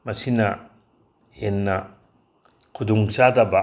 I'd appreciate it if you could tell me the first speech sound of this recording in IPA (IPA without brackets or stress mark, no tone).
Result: m